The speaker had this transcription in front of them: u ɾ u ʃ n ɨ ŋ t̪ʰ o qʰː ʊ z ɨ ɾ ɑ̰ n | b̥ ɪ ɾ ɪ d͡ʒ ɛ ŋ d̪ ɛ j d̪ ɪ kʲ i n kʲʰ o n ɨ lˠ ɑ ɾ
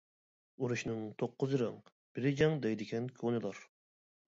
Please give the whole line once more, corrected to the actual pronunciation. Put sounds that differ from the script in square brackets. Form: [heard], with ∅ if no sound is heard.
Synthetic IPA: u ɾ u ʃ n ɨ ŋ t̪ʰ o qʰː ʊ z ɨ ɾ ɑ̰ [ŋ] | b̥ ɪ ɾ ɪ d͡ʒ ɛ ŋ d̪ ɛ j d̪ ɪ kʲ [ɛ] n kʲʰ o n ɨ lˠ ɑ ɾ